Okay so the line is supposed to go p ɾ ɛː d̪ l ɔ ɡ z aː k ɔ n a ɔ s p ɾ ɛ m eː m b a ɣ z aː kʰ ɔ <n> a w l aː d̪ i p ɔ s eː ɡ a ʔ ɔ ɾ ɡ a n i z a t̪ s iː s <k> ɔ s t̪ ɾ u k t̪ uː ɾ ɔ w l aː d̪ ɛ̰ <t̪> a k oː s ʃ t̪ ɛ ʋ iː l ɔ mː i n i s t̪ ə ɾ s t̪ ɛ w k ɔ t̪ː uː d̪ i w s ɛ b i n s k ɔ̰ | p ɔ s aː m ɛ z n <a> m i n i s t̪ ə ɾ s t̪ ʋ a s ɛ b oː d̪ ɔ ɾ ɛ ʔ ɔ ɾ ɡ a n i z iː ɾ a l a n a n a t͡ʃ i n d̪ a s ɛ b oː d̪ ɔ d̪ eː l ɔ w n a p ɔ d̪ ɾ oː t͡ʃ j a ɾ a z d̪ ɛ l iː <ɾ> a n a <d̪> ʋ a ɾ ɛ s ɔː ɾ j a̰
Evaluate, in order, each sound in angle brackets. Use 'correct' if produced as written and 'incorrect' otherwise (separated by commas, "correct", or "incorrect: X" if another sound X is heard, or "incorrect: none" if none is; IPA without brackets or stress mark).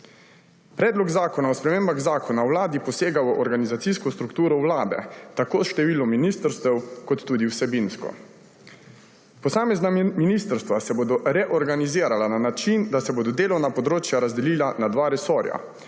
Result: correct, correct, correct, correct, incorrect: l, correct